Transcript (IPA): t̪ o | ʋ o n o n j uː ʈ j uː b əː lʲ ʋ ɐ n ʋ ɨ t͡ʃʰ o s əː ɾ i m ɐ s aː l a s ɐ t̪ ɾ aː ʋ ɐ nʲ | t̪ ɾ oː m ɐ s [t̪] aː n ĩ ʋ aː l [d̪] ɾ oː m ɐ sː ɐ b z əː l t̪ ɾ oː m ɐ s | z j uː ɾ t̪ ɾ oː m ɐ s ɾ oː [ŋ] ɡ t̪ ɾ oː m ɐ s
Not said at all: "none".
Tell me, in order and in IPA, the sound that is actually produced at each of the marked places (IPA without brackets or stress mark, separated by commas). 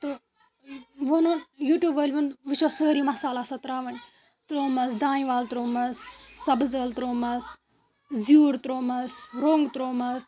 d̪, t̪, ŋ